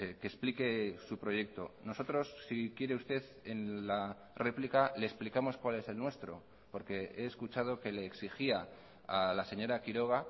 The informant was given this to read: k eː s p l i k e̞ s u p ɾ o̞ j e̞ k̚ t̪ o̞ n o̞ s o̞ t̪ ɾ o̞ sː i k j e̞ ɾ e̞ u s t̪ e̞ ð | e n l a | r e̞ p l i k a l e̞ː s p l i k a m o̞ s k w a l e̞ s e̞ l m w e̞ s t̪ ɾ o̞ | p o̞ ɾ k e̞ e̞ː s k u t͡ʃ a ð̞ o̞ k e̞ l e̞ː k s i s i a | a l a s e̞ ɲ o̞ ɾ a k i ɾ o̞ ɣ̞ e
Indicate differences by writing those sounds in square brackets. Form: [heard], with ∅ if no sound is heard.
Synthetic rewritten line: k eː s p l i k e̞ s u p ɾ o̞ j e̞ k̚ t̪ o̞ n o̞ s o̞ t̪ ɾ o̞ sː i k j e̞ ɾ e̞ u s t̪ e̞ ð | e n l a | r e̞ p l i k a l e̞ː s p l i k a m o̞ s k w a l e̞ s e̞ l [n] w e̞ s t̪ ɾ o̞ | p o̞ ɾ k e̞ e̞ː s k u t͡ʃ a ð̞ o̞ k e̞ l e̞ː k s i [x] i a | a l a s e̞ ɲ o̞ ɾ a k i ɾ o̞ ɣ̞ [a]